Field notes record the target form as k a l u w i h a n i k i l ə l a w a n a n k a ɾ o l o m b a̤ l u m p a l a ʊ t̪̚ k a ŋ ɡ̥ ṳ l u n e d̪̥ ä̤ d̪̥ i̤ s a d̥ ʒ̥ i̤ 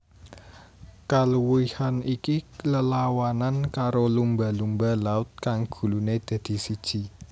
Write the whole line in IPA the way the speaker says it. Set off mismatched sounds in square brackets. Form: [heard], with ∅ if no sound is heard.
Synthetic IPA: k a l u w i h a n i k i l ə l a w a n a n k a ɾ o l [u] m b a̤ l u m [b] a l a ʊ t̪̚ k a ŋ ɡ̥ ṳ l u n e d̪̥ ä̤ d̪̥ i̤ s [i] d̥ ʒ̥ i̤

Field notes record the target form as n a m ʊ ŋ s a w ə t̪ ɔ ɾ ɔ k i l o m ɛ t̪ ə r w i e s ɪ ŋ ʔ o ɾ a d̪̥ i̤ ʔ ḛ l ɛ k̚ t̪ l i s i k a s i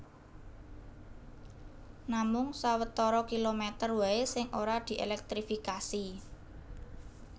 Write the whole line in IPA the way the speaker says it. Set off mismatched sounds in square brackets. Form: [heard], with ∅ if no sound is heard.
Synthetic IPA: n a m ʊ ŋ s a w ə t̪ ɔ ɾ ɔ k i l o m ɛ t̪ ə r w [a] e s ɪ ŋ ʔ o ɾ a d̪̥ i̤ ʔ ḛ l ɛ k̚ t̪ [ɾ] i [f] i k a s i

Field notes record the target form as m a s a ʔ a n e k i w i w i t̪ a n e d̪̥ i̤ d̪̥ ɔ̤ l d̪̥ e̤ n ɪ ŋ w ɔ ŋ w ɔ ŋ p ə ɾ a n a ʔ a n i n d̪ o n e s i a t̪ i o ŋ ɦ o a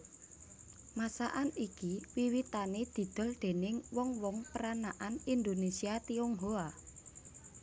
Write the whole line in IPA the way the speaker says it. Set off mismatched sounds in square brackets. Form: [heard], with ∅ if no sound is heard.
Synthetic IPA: m a s a ʔ a n [i] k i w i w i t̪ a n e d̪̥ i̤ d̪̥ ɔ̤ l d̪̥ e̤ n ɪ ŋ w ɔ ŋ w ɔ ŋ p ə ɾ a n a ʔ a n i n d̪ o n e s i a t̪ i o ŋ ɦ o a

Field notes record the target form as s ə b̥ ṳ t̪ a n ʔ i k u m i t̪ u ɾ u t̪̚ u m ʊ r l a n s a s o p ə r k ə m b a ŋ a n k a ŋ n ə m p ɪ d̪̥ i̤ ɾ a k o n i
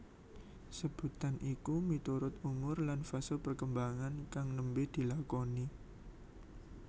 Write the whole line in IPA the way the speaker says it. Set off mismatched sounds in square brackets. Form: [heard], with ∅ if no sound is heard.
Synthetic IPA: s ə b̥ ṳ t̪ a n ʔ i k u m i t̪ u ɾ [ʊ] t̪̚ u m ʊ r l a n [f] a s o p ə r k ə m b a ŋ a n k a ŋ n ə m [b] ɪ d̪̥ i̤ [l] a k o n i

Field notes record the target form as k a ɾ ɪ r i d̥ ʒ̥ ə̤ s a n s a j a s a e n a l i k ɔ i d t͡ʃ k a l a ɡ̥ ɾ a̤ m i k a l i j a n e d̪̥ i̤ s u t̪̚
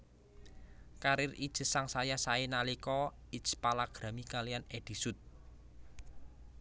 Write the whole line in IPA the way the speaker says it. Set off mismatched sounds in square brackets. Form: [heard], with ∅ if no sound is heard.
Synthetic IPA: k a ɾ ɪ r i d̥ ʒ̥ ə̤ s a [ŋ] s a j a s a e n a l i k ɔ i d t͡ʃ [p] a l a ɡ̥ ɾ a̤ m i k a l i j a n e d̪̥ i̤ s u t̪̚

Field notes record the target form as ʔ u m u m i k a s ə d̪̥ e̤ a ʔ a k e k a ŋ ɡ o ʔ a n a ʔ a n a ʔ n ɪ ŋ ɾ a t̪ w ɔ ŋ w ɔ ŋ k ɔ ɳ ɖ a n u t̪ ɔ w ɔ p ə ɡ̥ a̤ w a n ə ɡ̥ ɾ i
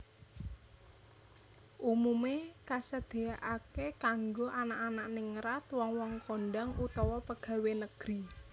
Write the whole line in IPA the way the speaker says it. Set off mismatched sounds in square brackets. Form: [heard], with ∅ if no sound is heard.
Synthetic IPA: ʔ u m u m [e] k a s ə d̪̥ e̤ a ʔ a k e k a ŋ ɡ o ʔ a n a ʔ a n a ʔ n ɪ ŋ ɾ a t̪ w ɔ ŋ w ɔ ŋ k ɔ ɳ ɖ a [ŋ] u t̪ ɔ w ɔ p ə ɡ̥ a̤ w [e] n ə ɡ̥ ɾ i

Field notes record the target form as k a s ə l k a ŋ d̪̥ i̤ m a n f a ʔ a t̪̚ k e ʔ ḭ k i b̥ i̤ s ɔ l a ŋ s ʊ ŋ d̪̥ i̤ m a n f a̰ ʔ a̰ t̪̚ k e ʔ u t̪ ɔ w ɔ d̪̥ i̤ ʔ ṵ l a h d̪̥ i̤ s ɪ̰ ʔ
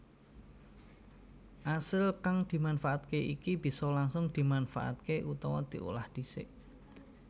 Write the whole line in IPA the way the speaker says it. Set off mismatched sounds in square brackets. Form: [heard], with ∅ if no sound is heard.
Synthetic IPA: [ʔ] a s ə l k a ŋ d̪̥ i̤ m a n f a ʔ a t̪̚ k e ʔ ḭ k i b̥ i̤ s ɔ l a ŋ s ʊ ŋ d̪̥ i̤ m a n f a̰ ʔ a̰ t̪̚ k e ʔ u t̪ ɔ w ɔ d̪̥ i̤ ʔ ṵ l a h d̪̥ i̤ s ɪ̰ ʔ

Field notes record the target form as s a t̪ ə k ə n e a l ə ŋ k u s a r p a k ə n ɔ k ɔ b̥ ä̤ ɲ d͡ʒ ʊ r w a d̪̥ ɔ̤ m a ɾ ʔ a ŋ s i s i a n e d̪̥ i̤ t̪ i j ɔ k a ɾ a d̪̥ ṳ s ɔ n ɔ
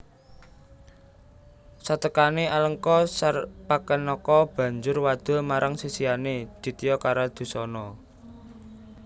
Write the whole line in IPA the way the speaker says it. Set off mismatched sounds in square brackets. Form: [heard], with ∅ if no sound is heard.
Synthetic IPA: s a t̪ ə k [a] n e a l ə ŋ k [ɔ] s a r p a k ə n ɔ k ɔ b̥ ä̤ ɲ d͡ʒ ʊ r w a d̪̥ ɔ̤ m a ɾ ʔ a ŋ s i s i a n e d̪̥ i̤ t̪ i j ɔ k a ɾ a d̪̥ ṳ s ɔ n ɔ

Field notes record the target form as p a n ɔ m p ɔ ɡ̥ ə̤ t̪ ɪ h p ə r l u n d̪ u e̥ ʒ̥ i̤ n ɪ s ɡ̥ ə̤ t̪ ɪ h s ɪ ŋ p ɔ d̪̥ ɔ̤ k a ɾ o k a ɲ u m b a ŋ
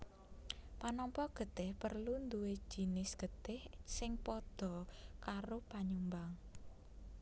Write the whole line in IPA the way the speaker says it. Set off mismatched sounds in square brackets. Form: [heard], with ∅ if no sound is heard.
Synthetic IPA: p a n ɔ m p ɔ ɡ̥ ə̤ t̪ ɪ h p ə r l u n d̪ u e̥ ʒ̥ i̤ n ɪ s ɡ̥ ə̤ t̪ ɪ h s ɪ ŋ p ɔ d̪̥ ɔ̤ k a ɾ o [p] a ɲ u m b a ŋ

